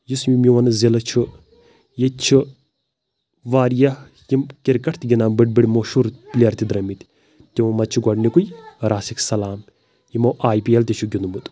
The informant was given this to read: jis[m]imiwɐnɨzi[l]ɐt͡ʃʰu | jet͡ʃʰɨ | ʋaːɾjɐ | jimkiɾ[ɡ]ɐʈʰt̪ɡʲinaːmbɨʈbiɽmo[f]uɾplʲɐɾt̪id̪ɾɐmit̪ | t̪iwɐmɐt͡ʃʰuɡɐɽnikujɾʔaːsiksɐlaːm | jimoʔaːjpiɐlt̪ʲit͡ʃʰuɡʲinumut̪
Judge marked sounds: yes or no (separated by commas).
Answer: yes, yes, no, no